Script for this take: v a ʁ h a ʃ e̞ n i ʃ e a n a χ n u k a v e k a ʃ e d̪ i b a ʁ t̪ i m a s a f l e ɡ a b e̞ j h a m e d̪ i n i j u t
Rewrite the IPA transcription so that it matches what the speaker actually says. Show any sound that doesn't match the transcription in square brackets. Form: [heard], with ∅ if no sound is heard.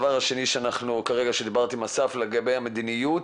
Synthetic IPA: v a ʁ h a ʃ e̞ n i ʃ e a n a χ n u k a [ʁ] e [ɡ] a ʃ e d̪ i b a ʁ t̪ i m a s a f l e ɡ a b e̞ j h a m e d̪ i n i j u t